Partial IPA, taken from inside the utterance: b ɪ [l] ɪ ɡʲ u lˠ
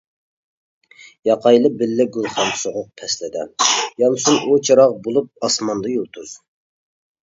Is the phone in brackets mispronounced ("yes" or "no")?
yes